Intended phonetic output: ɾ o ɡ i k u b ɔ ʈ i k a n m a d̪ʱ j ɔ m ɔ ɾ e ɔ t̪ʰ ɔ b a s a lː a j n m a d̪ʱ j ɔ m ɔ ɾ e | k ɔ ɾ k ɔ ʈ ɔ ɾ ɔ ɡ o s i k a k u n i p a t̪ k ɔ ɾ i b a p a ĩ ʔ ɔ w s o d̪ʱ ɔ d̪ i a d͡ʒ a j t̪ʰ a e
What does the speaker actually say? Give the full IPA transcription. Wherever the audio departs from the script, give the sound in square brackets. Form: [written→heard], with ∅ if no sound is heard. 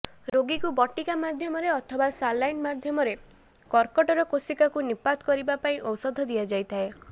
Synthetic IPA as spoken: ɾ o ɡ i k u b ɔ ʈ i k a [n→∅] m a d̪ʱ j ɔ m ɔ ɾ e ɔ t̪ʰ ɔ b a s a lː a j n m a d̪ʱ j ɔ m ɔ ɾ e | k ɔ ɾ k ɔ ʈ ɔ ɾ ɔ [ɡ→k] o s i k a k u n i p a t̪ k ɔ ɾ i b a p a ĩ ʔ ɔ w s [o→ɔ] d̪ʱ ɔ d̪ i a d͡ʒ a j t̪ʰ a e

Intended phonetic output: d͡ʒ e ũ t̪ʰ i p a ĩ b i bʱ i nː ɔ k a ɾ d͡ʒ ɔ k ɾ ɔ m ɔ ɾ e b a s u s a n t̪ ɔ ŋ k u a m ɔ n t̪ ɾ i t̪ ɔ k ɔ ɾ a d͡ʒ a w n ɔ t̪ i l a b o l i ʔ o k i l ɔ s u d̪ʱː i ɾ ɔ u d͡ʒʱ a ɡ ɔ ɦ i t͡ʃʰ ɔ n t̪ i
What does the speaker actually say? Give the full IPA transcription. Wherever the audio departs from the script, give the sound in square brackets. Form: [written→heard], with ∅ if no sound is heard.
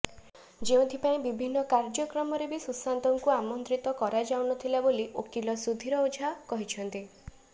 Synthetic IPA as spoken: d͡ʒ e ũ t̪ʰ i p a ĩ b i bʱ i nː ɔ k a ɾ d͡ʒ ɔ k ɾ ɔ m ɔ ɾ e b [a→i] s u s a n t̪ ɔ ŋ k u a m ɔ n t̪ ɾ i t̪ ɔ k ɔ ɾ a d͡ʒ a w n ɔ [t̪→t̪ʰ] i l a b o l i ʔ o k i l ɔ s u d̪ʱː i ɾ ɔ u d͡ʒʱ a [ɡ→k] ɔ ɦ i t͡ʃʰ ɔ n t̪ i

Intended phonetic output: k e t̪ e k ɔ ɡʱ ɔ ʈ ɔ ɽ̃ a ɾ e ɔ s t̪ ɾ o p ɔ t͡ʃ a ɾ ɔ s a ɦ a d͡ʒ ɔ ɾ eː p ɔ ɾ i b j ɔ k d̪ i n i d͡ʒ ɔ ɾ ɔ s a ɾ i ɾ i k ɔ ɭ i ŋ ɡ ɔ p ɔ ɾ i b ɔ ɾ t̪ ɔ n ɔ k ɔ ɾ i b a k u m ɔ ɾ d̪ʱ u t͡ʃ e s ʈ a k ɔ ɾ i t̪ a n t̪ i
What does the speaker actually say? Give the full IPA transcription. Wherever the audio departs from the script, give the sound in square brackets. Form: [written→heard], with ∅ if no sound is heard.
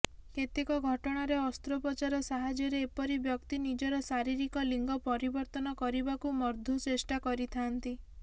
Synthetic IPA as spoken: k e t̪ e k ɔ ɡʱ ɔ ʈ ɔ ɽ̃ a ɾ e ɔ s t̪ ɾ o p ɔ t͡ʃ a ɾ ɔ s a ɦ a d͡ʒ ɔ ɾ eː p ɔ ɾ i b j ɔ k [d̪→t̪] i n i d͡ʒ ɔ ɾ ɔ s a ɾ i ɾ i k ɔ [ɭ→l] i ŋ ɡ ɔ p ɔ ɾ i b ɔ ɾ t̪ ɔ n ɔ k ɔ ɾ i b a k u m ɔ ɾ d̪ʱ u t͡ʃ e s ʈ a k ɔ ɾ i [t̪→t̪ʰ] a n t̪ i

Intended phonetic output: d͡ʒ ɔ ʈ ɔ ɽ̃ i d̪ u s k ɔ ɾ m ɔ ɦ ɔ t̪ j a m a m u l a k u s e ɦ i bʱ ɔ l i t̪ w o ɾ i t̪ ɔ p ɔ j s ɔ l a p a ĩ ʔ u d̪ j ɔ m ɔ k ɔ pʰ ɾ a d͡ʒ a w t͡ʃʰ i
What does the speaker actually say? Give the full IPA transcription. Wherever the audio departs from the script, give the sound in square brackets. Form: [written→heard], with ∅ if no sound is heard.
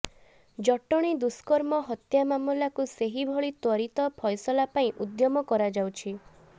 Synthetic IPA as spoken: d͡ʒ ɔ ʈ ɔ ɽ̃ i d̪ u s k ɔ ɾ m ɔ ɦ ɔ t̪ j a m a m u l a k u s e ɦ i bʱ ɔ [l→ɭ] i t̪ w [o→ɔ] ɾ i t̪ ɔ [p→pʰ] ɔ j s ɔ l a p a ĩ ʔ u d̪ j ɔ m ɔ k ɔ [pʰ→∅] ɾ a d͡ʒ a w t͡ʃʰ i

